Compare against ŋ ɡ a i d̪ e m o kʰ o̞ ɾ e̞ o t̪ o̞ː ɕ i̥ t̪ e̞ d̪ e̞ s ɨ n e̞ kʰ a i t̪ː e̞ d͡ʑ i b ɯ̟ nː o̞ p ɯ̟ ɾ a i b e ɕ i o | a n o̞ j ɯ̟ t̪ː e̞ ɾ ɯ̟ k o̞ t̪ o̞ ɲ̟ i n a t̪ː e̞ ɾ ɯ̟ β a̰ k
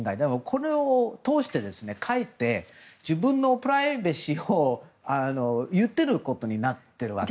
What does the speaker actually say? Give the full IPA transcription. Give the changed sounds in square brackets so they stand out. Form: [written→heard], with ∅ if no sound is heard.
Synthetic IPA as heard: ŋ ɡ a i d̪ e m o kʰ o̞ ɾ e̞ o t̪ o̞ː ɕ i̥ t̪ e̞ d̪ e̞ s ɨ n e̞ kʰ a i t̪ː e̞ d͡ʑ i b [ɯ̟→ɯ̟̃] nː o̞ p ɯ̟ ɾ a i b e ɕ i o | a n o̞ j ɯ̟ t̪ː e̞ ɾ ɯ̟ k o̞ t̪ o̞ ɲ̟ i n a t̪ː e̞ ɾ ɯ̟ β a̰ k

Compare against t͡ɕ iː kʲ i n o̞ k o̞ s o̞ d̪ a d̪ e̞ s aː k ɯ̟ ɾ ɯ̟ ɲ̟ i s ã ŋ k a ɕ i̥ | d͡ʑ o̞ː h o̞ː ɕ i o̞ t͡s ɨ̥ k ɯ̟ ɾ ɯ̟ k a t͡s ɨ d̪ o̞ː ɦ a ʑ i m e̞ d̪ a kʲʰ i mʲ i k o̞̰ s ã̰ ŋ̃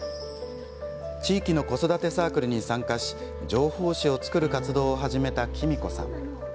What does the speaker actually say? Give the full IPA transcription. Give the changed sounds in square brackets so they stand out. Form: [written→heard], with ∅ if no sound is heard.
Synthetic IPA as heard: t͡ɕ iː kʲ i n o̞ k o̞ s o̞ d̪ a [d̪→t̪] e̞ s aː k ɯ̟ ɾ ɯ̟ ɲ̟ i s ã ŋ k a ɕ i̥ | d͡ʑ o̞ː h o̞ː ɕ i o̞ t͡s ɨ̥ k ɯ̟ ɾ ɯ̟ k a t͡s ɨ d̪ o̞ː ɦ a ʑ i m e̞ [d̪→t̪] a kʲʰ i mʲ i k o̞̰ s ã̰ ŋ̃

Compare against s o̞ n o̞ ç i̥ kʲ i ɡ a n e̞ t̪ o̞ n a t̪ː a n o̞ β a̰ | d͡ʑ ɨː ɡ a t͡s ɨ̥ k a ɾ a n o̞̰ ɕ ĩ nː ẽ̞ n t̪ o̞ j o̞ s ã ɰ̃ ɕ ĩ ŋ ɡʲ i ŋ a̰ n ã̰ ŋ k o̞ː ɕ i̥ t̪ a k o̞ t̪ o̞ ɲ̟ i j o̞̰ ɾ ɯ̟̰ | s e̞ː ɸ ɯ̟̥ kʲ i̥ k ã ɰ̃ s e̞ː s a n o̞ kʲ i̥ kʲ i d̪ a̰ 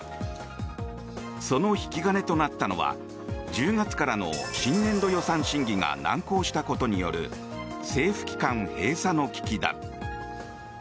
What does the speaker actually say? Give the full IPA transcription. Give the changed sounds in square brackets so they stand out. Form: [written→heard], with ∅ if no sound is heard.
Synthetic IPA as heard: s o̞ n o̞ ç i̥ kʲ i ɡ a n e̞ t̪ o̞ n a t̪ː a n o̞ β a̰ | d͡ʑ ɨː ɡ a t͡s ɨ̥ k a ɾ a n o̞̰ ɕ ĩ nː ẽ̞ n [t̪→d̪] o̞ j o̞ s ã ɰ̃ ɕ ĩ ŋ ɡʲ i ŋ a̰ n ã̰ ŋ k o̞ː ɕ i̥ t̪ a k o̞ t̪ o̞ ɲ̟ i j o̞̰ ɾ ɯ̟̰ | s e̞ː ɸ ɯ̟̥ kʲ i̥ k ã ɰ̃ [s→h] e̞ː s a n o̞ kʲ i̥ kʲ i d̪ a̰

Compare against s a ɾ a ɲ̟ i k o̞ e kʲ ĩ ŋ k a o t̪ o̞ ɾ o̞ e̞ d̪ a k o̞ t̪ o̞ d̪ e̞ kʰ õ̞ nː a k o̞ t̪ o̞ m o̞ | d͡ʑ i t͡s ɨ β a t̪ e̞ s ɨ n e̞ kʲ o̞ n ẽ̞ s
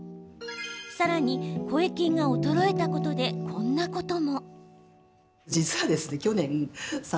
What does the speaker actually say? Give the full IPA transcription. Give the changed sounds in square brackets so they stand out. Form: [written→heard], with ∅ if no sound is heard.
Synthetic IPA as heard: s a ɾ a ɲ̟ i k o̞ e kʲ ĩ ŋ [k→ɡ] a o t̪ o̞ ɾ o̞ e̞ [d̪→t̪] a k o̞ t̪ o̞ d̪ e̞ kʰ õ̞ nː a k o̞ t̪ o̞ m o̞ | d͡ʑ i t͡s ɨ β a [t̪→d̪] e̞ s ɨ n e̞ kʲ o̞ n ẽ̞ s

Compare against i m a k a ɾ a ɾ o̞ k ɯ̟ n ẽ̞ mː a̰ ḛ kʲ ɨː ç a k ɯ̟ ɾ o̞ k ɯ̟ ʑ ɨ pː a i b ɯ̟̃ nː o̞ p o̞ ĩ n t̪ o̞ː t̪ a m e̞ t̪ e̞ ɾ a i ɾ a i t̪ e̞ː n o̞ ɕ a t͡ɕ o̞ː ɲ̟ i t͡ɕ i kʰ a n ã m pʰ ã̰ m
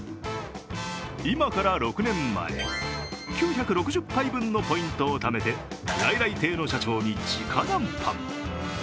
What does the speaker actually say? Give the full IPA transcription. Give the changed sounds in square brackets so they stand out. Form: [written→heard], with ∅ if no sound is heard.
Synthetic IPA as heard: i m a k a ɾ a ɾ o̞ k ɯ̟ n ẽ̞ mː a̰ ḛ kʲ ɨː ç a k ɯ̟ ɾ o̞ k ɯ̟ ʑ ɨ pː a i b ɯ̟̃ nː o̞ p o̞ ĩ n t̪ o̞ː t̪ a m e̞ t̪ e̞ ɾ a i ɾ a i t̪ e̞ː n o̞ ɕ a t͡ɕ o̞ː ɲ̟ i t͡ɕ i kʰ a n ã m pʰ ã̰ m

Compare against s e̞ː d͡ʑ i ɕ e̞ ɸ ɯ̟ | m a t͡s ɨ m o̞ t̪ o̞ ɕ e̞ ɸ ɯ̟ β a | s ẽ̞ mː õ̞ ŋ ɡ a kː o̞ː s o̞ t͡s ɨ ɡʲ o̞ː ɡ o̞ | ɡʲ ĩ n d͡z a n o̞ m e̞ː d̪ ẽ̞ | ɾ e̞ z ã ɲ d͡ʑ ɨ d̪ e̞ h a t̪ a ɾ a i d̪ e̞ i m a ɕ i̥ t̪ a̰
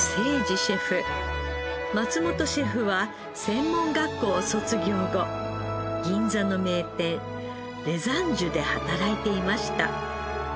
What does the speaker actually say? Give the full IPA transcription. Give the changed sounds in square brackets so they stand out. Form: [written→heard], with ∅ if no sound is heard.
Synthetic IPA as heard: s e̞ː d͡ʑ i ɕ e̞ ɸ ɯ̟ | m a t͡s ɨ m o̞ t̪ o̞ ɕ e̞ ɸ ɯ̟ β a | s ẽ̞ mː õ̞ ŋ ɡ a kː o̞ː s o̞ t͡s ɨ ɡʲ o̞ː ɡ o̞ | ɡʲ ĩ n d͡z a n o̞ m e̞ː [d̪→t̪] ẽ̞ | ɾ e̞ z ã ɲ d͡ʑ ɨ d̪ e̞ h a t̪ a ɾ a i [d̪→t̪] e̞ i m a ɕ i̥ t̪ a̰

